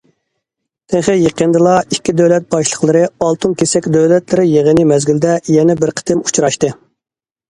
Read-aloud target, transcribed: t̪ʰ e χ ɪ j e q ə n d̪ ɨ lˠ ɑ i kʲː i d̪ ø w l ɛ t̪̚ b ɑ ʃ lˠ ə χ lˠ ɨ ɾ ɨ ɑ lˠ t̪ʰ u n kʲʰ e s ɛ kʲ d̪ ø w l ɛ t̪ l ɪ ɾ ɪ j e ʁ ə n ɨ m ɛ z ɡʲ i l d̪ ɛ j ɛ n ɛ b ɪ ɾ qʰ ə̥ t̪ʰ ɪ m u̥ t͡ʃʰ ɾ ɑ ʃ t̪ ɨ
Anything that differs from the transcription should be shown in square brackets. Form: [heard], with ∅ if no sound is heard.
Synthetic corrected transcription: t̪ʰ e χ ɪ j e q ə n d̪ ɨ lˠ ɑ i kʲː i d̪ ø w l ɛ t̪̚ b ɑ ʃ lˠ ə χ lˠ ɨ ɾ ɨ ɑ lˠ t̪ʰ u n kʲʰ e s ɛ kʲ d̪ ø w l ɛ t̪ l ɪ ɾ ɪ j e ʁ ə n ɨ m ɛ z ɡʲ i l d̪ ɛ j ɛ n ɛ b ɪ ɾ qʰ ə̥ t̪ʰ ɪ m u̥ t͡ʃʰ ɾ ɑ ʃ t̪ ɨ